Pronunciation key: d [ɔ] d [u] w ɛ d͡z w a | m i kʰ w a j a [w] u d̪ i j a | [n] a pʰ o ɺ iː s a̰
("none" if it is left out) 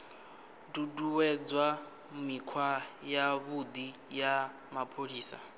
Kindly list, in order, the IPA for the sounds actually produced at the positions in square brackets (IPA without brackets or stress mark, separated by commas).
u, u, β, m